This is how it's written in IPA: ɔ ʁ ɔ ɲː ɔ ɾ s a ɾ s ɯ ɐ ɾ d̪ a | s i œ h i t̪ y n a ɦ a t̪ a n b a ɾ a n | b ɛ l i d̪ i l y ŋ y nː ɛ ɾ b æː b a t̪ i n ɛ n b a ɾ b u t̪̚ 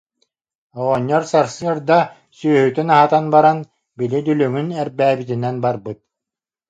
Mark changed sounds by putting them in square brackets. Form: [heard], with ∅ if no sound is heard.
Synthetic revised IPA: ɔ ʁ ɔ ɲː ɔ ɾ s a ɾ s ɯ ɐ ɾ d̪ a | s [y] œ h [y] t̪ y n a ɦ a t̪ a n b a ɾ a n | b [i] l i d̪ [y] l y ŋ y [n] ɛ ɾ b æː b [i] t̪ i n ɛ n b a ɾ b [ɯ] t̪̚